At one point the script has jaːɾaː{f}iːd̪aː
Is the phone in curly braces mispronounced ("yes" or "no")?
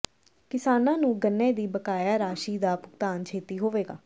yes